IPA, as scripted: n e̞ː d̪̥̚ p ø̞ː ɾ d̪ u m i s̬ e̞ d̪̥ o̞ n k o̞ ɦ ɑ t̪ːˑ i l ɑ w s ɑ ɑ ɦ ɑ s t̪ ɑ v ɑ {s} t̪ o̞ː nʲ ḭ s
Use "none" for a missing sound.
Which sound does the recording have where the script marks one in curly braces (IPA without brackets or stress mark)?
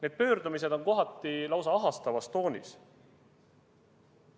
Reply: s